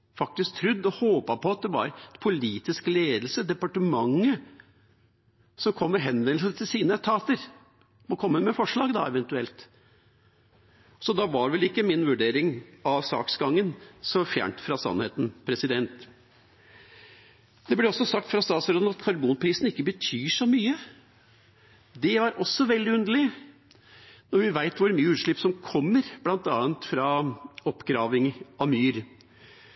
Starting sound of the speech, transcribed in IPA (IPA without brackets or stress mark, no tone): f